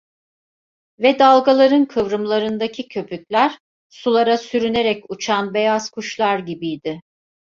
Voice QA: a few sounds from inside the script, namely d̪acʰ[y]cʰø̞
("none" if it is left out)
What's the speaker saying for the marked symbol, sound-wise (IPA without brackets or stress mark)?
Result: i